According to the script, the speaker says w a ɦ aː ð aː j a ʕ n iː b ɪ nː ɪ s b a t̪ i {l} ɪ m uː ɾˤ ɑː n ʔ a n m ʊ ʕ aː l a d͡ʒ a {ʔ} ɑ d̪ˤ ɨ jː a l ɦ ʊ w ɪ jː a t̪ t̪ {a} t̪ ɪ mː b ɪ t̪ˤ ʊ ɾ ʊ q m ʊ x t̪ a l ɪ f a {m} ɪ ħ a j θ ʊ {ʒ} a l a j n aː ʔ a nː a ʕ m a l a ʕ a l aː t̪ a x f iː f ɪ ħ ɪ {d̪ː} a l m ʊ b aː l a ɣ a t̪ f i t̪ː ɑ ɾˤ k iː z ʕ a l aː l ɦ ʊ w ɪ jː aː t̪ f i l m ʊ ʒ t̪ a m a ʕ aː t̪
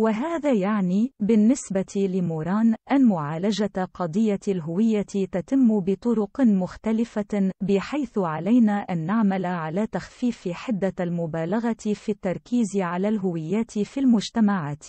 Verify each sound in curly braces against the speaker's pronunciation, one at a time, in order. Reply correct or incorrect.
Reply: correct, incorrect, correct, incorrect, incorrect, correct

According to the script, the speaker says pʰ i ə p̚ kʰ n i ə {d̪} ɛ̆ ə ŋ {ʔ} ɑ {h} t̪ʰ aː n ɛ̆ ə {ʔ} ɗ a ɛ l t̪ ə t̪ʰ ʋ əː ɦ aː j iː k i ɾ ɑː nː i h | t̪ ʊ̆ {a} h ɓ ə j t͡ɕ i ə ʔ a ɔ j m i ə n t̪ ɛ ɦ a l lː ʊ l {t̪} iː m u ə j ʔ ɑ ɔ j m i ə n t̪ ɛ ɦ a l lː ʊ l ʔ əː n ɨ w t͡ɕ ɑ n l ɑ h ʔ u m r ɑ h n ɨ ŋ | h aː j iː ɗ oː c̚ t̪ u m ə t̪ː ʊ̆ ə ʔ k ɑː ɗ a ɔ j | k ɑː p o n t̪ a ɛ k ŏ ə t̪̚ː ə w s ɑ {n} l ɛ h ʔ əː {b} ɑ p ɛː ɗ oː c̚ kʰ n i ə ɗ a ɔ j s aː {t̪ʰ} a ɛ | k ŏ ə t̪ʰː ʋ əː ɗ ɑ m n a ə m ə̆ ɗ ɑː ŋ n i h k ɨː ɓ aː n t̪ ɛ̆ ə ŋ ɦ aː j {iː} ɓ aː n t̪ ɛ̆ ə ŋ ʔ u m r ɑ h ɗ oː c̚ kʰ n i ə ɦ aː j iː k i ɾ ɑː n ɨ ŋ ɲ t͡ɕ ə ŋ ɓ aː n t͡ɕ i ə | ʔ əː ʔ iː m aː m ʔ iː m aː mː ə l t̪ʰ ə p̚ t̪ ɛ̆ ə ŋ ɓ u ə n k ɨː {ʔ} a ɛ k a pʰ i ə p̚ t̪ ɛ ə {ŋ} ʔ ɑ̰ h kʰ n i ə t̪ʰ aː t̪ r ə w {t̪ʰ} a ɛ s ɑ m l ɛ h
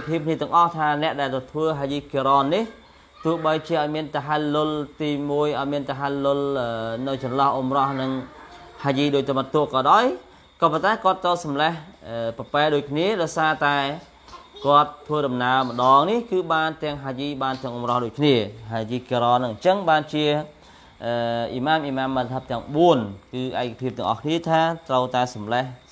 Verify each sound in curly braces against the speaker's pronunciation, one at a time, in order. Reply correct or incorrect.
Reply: incorrect, correct, correct, correct, incorrect, correct, incorrect, incorrect, incorrect, correct, correct, correct, incorrect

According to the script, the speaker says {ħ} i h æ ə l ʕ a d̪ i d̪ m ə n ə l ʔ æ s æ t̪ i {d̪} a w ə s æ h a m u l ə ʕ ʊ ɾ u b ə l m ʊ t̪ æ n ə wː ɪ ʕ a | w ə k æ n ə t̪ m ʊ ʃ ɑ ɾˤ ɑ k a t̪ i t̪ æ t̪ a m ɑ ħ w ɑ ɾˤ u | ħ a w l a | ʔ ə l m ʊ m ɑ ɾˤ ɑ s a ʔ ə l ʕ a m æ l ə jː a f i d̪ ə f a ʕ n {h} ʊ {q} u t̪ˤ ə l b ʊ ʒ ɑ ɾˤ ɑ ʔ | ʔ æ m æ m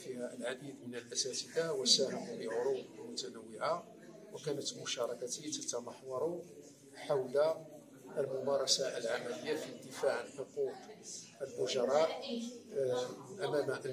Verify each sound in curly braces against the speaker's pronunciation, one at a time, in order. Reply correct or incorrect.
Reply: incorrect, correct, incorrect, correct

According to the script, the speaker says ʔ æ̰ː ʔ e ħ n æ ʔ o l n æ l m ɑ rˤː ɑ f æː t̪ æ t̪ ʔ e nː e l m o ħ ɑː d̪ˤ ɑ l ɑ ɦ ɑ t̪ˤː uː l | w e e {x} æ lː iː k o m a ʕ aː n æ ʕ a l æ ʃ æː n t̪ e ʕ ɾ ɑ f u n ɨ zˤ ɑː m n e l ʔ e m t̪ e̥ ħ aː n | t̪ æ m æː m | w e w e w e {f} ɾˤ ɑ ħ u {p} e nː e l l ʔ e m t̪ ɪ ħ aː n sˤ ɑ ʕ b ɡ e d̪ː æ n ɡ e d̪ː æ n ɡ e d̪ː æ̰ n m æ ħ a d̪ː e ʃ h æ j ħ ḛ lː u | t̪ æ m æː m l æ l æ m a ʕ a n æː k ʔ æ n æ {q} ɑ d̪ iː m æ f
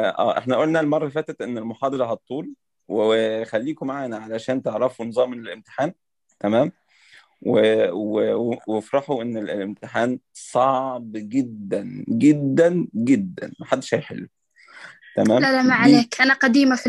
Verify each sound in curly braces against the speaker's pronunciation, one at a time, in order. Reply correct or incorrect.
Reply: correct, correct, incorrect, correct

